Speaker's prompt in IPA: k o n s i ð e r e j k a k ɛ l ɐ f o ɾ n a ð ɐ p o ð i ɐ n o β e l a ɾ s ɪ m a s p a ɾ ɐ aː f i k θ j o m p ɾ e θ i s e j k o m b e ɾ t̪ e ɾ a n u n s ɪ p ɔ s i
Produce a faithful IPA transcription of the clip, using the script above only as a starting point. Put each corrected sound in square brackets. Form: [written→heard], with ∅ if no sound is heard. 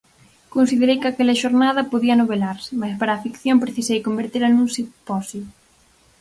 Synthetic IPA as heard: k o n s i ð e [r→ɾ] e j k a k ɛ l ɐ [f→ʃ] o ɾ n a ð ɐ p o ð i ɐ n o β e l a ɾ s ɪ m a s p a ɾ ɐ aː f i k θ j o m p ɾ e θ i s e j k o m b e ɾ t̪ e ɾ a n u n s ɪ p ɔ s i